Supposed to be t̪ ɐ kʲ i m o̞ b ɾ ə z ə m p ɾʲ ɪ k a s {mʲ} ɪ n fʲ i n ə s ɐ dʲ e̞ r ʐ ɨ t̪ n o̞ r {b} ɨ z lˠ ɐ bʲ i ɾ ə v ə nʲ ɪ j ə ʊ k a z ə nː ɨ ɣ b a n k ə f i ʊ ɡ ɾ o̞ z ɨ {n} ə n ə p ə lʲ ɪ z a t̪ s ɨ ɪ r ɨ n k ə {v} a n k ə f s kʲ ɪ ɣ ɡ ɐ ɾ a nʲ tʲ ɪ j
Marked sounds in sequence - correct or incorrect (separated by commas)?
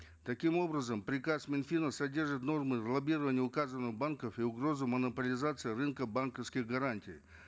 correct, incorrect, incorrect, incorrect